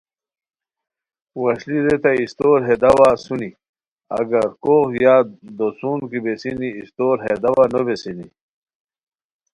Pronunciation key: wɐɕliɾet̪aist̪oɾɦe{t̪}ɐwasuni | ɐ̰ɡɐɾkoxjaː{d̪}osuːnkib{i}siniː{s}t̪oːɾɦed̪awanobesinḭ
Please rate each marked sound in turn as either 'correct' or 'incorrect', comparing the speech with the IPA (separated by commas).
incorrect, correct, incorrect, correct